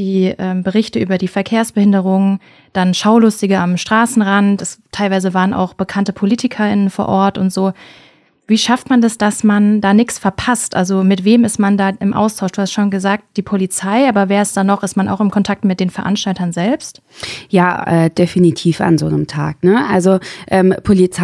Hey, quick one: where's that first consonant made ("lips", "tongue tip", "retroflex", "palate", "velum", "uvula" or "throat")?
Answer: tongue tip